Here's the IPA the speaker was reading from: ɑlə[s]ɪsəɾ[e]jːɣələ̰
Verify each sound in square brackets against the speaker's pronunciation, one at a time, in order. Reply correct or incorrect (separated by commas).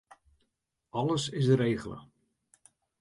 correct, correct